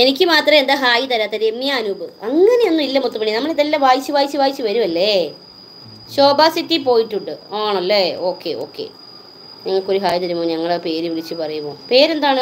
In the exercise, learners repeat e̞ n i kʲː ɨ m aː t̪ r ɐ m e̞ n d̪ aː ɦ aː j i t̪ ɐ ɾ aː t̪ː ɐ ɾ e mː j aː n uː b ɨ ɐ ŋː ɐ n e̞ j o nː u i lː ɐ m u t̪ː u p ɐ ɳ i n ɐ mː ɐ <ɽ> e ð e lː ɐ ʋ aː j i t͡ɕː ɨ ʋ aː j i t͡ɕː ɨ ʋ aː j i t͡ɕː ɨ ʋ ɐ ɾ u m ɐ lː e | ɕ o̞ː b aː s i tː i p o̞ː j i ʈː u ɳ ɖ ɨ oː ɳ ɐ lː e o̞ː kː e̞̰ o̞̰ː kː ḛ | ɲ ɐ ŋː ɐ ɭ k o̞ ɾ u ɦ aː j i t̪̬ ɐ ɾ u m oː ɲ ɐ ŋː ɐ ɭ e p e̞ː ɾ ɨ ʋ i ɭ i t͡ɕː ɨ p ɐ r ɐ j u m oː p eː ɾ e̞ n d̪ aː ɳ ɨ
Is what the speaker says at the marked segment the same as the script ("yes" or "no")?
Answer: no